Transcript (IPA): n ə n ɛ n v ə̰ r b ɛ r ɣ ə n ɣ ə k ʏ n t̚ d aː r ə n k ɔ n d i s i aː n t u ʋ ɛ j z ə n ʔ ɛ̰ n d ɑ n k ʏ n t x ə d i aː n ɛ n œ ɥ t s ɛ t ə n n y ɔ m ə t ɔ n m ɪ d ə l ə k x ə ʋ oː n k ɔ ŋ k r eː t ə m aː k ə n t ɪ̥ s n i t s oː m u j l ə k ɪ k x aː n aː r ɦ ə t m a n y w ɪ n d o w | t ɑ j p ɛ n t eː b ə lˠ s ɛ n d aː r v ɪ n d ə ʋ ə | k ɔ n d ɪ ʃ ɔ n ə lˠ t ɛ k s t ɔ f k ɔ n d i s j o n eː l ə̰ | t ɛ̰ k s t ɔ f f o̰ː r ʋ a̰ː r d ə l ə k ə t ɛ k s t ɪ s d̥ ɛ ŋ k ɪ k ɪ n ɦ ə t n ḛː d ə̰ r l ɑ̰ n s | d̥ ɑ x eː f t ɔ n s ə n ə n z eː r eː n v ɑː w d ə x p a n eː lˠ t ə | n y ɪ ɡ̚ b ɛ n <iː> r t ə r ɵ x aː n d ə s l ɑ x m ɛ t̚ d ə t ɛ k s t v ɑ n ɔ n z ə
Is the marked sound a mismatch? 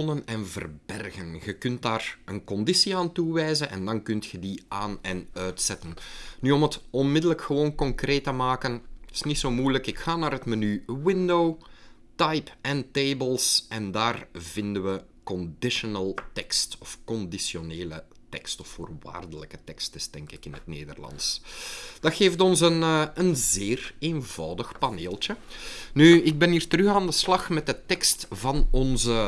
no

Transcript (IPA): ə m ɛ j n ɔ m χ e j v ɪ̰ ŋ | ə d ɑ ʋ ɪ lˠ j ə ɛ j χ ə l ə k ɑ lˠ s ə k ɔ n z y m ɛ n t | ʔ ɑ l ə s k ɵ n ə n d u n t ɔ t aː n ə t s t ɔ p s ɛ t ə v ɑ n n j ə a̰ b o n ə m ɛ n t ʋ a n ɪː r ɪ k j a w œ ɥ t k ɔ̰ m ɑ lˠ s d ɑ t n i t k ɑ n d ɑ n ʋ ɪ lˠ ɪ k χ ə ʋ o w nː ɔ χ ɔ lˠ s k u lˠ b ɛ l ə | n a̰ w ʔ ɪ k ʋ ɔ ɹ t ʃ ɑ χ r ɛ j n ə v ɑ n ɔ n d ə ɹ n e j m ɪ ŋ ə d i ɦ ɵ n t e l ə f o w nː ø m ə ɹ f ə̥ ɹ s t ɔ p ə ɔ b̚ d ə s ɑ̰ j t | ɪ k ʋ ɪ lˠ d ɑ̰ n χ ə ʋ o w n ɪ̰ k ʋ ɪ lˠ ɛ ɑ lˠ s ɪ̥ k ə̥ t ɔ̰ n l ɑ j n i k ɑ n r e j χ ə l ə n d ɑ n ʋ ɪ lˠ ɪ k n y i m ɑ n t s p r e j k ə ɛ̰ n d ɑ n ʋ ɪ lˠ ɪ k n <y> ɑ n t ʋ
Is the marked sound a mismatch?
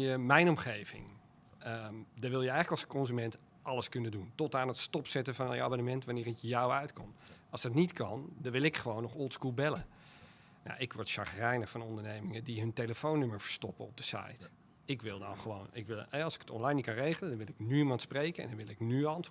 no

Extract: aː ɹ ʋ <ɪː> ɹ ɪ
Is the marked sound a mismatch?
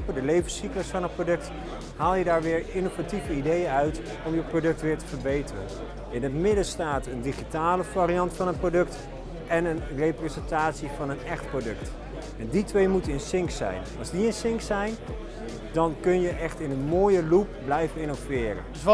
no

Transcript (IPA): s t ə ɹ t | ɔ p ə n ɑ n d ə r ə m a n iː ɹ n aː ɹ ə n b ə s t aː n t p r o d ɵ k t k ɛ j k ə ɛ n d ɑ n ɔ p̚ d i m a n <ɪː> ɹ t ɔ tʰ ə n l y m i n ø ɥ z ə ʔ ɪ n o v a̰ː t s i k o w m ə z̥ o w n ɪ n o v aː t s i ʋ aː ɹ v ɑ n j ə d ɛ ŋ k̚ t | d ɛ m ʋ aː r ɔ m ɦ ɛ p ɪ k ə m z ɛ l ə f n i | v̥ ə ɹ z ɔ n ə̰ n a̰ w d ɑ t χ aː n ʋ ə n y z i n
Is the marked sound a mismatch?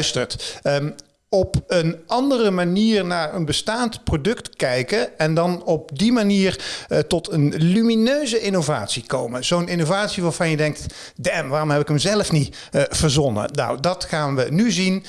yes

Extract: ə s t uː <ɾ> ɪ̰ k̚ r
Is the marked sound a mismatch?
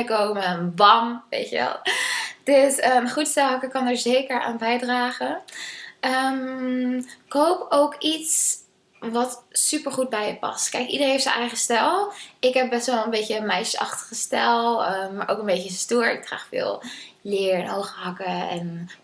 yes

